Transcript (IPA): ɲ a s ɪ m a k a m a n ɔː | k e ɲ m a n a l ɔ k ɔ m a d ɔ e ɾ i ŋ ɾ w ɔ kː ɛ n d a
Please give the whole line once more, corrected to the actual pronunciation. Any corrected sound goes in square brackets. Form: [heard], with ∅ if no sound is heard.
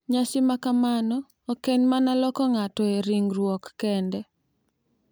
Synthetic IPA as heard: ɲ a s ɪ m a k a m a n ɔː | k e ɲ m a n a l ɔ k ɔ [ŋ] a [t] ɔ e ɾ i ŋ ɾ w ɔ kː ɛ n d [ɛ]